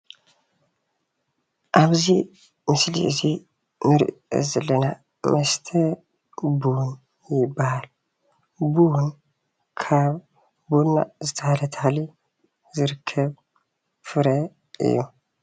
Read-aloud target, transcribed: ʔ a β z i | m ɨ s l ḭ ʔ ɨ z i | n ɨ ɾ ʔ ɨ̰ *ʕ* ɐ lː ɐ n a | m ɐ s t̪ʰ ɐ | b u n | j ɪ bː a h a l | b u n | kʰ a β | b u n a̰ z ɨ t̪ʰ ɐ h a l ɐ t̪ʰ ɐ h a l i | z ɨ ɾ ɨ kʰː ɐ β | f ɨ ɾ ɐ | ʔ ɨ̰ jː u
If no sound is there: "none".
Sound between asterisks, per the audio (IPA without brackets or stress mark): z